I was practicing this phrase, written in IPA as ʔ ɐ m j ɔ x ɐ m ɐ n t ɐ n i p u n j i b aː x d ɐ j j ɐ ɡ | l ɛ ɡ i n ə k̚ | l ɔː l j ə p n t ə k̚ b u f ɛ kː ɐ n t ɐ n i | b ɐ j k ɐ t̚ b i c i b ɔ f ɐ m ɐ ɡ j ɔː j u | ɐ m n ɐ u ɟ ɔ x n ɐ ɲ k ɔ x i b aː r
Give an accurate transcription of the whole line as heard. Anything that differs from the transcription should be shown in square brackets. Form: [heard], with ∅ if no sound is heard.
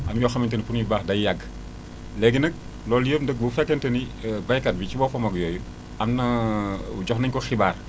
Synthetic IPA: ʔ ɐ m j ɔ x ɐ m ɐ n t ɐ n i p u n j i b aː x d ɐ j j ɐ ɡ | l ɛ ɡ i n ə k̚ | l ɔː l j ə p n [d] ə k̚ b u f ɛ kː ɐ n t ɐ n i | b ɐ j k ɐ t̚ b i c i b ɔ f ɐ m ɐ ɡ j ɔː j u | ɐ m n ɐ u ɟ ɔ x n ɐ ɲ k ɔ x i b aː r